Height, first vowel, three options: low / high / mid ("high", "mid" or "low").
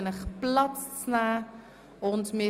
mid